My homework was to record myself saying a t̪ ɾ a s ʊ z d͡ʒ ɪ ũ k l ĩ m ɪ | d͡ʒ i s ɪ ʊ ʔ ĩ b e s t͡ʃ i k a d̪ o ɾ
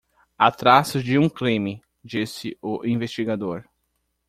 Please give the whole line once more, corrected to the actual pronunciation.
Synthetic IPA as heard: a t̪ ɾ a s ʊ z d͡ʒ ɪ ũ k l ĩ m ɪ | d͡ʒ i s ɪ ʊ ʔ ĩ v e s t͡ʃ i ɡ a d̪ o ɾ